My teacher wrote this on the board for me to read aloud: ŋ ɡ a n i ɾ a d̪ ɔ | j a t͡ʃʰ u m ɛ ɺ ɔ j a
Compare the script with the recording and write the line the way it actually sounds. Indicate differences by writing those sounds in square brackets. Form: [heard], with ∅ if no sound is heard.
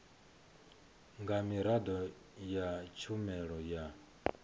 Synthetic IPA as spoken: ŋ ɡ a [m] i ɾ a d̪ ɔ | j a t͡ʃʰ u m ɛ ɺ ɔ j a